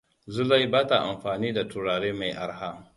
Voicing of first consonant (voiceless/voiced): voiced